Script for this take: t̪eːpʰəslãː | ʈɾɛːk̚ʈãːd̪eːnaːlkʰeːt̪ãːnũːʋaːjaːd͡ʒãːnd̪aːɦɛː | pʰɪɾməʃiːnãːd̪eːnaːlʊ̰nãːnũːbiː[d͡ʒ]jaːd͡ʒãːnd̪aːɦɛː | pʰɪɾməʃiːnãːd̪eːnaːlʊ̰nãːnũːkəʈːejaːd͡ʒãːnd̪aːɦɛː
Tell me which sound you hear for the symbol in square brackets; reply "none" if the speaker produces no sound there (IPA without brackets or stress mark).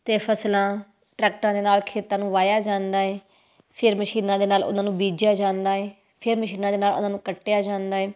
d͡ʒ